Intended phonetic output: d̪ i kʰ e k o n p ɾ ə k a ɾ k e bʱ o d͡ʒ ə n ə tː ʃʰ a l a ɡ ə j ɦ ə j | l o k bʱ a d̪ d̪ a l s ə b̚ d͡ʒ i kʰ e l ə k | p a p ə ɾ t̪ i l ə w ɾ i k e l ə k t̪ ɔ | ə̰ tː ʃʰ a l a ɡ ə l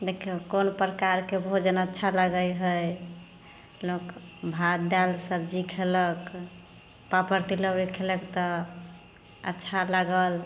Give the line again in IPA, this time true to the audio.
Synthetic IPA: d̪ e kʰ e k o n p ɾ ə k a ɾ k e bʱ o d͡ʒ ə n ə tː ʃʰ a l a ɡ ə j ɦ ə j | l o k bʱ a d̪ d̪ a l s ə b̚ d͡ʒ i kʰ e l ə k | p a p ə ɾ t̪ i l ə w ɾ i kʰ e l ə k t̪ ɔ | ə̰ tː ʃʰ a l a ɡ ə l